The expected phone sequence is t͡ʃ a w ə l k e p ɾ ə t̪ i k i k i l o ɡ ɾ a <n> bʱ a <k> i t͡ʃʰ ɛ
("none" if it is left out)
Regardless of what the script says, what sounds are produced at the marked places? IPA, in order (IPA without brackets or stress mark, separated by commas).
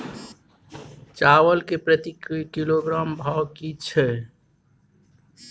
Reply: m, k